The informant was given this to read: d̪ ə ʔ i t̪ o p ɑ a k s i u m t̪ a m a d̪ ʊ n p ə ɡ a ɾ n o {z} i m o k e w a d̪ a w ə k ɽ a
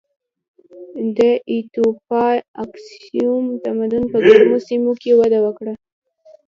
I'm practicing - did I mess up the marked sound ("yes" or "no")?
yes